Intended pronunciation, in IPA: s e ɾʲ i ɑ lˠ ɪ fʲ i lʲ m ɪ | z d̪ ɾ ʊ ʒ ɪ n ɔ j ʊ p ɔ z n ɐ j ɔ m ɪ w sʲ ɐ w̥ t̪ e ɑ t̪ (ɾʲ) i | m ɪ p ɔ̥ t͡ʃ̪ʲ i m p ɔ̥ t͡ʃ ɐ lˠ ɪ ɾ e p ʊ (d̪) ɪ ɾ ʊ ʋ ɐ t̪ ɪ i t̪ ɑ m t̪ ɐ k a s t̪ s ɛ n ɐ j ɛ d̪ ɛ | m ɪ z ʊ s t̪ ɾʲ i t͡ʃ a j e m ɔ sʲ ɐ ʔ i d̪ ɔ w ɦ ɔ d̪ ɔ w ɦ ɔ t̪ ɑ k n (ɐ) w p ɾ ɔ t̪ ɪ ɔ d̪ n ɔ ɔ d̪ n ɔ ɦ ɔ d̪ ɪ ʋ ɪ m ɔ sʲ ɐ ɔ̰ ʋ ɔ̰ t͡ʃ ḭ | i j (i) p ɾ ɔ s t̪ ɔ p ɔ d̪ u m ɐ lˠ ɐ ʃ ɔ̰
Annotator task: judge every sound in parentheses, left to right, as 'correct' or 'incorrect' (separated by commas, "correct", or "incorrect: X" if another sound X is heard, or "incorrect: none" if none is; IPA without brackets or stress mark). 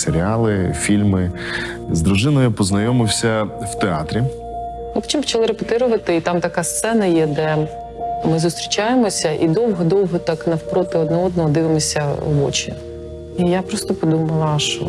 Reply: correct, incorrect: t̪, correct, incorrect: a